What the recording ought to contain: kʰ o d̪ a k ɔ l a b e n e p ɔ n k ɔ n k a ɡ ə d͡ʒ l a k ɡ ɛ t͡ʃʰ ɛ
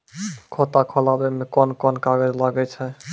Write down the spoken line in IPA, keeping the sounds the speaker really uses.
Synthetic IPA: kʰ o t̪ a kʰ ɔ l a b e m e k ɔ n k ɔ n k a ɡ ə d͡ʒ l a ɡ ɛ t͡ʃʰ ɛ

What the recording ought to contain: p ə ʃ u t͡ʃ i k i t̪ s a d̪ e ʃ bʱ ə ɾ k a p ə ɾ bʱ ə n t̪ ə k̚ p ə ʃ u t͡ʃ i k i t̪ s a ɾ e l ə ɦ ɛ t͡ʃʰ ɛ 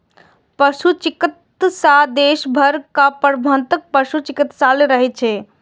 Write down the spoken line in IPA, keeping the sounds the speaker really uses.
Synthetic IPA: p ə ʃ u t͡ʃ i k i t̪ s a d̪ e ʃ bʱ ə ɾ k a p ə ɾ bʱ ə n t̪ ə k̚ p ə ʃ u t͡ʃ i k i t̪ s a l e ɾ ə ɦ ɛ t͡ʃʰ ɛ

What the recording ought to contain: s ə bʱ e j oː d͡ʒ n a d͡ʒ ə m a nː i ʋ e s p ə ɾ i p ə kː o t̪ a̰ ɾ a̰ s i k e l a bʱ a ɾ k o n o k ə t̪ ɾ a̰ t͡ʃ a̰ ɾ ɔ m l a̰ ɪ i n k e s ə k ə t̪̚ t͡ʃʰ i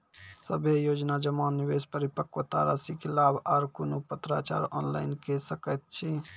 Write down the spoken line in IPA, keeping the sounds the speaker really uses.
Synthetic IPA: s ə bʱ e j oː d͡ʒ n a d͡ʒ ə m a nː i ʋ e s p ə ɾ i p ə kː o t̪ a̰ ɾ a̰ s i k e l a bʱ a ɾ k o n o p ə t̪ ɾ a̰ t͡ʃ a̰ ɾ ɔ n l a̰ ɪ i n k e s ə k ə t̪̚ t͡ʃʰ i

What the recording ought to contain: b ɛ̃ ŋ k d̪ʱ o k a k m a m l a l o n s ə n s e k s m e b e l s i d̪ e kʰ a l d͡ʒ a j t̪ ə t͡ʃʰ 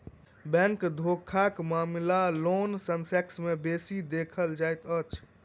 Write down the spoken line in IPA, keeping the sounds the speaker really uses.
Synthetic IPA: b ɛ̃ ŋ k d̪ʱ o kʰ a k m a m l a l o n s ə n s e k s m e b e s i d̪ e kʰ ə l d͡ʒ a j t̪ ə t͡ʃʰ

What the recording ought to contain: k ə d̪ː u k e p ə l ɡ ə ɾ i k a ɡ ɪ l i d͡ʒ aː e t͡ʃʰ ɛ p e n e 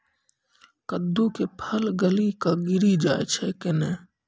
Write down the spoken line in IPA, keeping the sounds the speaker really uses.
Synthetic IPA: k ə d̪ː u k e pʰ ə l ɡ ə l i k a ɡ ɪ ɾ i d͡ʒ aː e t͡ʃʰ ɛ k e n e

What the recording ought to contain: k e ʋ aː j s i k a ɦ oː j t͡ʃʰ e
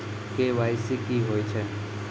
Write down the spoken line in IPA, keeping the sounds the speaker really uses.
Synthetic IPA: k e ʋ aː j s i k i ɦ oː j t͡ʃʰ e

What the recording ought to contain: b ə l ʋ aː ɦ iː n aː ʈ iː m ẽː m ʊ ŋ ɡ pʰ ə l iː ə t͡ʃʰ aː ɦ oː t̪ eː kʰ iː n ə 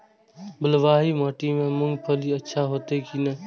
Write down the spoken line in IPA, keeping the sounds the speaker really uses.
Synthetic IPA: b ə l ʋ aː ɦ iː m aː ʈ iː m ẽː m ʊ ŋ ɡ pʰ ə l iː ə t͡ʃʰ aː ɦ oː t̪ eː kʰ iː n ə

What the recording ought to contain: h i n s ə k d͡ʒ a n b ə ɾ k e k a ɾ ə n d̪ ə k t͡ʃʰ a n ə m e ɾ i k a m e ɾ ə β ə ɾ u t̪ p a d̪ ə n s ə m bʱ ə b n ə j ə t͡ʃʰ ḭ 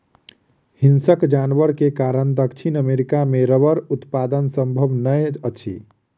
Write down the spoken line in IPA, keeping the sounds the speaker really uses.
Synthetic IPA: h i n s ə k d͡ʒ a n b ə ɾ k e k a ɾ ə n d̪ ə k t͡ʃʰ i n ə m e ɾ i k a m e ɾ ə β ə ɾ u t̪ p a d̪ ə n s ə m bʱ ə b n ə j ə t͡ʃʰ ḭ

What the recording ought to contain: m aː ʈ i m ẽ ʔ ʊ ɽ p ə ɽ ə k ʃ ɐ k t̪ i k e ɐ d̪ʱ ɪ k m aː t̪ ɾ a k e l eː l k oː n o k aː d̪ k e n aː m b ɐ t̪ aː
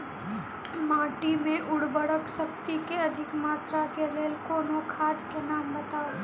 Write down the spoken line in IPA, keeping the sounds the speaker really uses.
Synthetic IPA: m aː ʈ i m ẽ ʔ ʊ ɽ b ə ɽ ə k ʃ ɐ k t̪ i k e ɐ d̪ʱ ɪ k m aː t̪ ɾ a k e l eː l k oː n o kʰ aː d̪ k e n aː m b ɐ t̪ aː

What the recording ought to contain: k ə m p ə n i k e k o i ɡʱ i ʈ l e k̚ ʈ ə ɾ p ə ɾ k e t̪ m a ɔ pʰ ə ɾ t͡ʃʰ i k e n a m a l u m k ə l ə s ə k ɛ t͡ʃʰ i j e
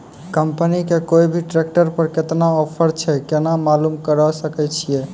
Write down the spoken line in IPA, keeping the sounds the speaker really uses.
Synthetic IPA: k ə m p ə n i k e k o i bʱ i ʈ ɾ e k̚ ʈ ə ɾ p ə ɾ k e t̪ n a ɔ pʰ ə ɾ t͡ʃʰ ɛ k e n a m a l u m k ə ɾ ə s ə k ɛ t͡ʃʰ i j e

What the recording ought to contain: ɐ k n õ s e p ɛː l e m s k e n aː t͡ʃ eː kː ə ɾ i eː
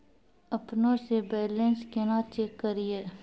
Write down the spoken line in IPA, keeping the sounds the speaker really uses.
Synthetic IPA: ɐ p n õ s e b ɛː l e n s k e n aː t͡ʃ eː kː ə ɾ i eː

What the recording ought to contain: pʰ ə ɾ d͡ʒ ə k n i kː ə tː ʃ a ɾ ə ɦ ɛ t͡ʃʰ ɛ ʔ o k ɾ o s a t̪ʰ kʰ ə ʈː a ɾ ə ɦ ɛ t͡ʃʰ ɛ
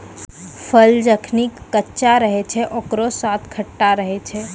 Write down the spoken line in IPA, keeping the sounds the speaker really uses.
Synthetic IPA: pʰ ə l d͡ʒ ə kʰ n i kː ə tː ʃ a ɾ ə ɦ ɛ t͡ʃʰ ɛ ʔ o k ɾ o s a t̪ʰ kʰ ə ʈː a ɾ ə ɦ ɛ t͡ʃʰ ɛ

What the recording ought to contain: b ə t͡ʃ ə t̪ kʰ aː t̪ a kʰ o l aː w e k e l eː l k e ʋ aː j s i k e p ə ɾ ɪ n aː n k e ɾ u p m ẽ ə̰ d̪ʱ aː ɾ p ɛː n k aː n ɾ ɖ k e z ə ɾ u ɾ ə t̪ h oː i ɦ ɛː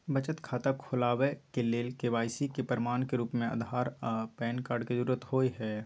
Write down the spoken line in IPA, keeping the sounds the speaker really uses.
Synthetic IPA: b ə t͡ʃ ə t̪ kʰ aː t̪ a kʰ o l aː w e k e l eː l k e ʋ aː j s i k e p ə ɾ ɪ m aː n k e ɾ uː p m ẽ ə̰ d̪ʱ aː ɾ p ɛː n k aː ɾ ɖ k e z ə ɾ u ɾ ə t̪ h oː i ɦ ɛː

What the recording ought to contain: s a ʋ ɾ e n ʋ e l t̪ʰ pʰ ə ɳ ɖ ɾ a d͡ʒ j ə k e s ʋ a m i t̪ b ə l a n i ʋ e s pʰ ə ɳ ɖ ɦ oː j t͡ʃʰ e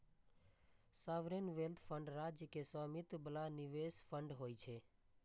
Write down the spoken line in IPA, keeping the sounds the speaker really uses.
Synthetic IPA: s a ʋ ɾ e n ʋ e l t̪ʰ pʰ ə ɳ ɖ ɾ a d͡ʒ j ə k e s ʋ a m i t̪ b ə l a n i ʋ e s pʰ ə ɳ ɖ ɦ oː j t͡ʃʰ e

